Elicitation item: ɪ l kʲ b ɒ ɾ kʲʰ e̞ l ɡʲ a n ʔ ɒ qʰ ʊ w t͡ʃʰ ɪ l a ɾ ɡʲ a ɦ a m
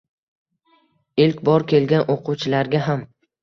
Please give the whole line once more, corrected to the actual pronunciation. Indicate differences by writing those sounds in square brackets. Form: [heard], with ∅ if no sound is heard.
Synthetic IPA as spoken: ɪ l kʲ b ɒ ɾ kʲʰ e̞ l ɡʲ a n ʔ [o] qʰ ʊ w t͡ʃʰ ɪ l a ɾ ɡʲ a ɦ a m